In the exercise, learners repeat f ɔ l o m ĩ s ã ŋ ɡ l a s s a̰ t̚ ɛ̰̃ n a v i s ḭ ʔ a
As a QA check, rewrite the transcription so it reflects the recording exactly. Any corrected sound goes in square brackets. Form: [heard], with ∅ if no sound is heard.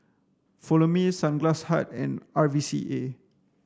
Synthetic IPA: f ɔ l o m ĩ s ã [n] ɡ l a s [h] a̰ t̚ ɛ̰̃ n a v i s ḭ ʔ [e]